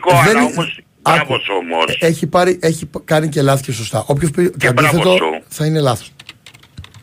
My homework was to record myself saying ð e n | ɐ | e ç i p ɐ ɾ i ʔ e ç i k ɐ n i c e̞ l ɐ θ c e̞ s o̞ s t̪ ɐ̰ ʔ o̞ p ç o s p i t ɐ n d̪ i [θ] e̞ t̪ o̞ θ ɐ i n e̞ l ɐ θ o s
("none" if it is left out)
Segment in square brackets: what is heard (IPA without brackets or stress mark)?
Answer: θ